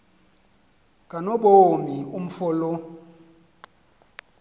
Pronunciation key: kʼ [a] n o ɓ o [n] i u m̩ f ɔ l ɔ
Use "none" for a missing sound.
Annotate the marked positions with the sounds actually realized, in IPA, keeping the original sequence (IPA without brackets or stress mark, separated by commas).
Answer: a, m